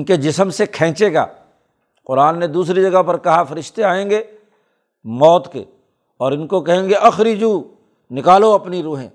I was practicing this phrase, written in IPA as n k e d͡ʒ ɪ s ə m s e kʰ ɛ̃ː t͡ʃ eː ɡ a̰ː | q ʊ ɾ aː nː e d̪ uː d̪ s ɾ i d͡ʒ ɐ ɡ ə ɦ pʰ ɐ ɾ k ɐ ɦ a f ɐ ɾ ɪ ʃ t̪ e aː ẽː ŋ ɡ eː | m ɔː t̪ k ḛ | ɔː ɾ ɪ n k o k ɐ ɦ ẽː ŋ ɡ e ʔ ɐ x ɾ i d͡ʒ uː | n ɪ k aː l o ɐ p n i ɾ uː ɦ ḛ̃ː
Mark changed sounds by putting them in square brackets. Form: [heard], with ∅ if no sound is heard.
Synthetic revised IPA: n k e d͡ʒ ɪ s ə m s e kʰ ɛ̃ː t͡ʃ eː ɡ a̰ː | q ʊ ɾ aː nː e d̪ uː [∅] s ɾ i d͡ʒ ɐ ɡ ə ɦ [p] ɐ ɾ k ɐ ɦ a f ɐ ɾ ɪ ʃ t̪ e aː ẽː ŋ ɡ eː | m ɔː t̪ k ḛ | ɔː ɾ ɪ n k o k ɐ ɦ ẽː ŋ ɡ e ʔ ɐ x ɾ i d͡ʒ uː | n ɪ k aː l o ɐ p n i ɾ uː ɦ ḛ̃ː